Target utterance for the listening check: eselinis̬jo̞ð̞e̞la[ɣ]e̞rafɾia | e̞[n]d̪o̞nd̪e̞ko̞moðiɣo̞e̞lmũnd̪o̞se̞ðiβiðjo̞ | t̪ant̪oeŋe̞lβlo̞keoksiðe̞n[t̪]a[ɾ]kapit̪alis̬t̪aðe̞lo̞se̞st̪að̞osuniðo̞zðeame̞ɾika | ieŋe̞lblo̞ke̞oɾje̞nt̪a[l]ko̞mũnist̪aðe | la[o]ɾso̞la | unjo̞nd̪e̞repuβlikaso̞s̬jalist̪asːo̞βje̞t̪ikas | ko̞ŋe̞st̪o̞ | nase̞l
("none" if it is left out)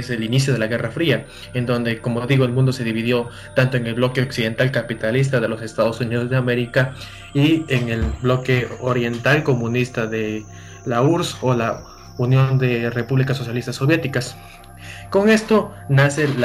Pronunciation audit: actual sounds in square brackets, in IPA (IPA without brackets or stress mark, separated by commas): ɣ, n, t̪, l, l, u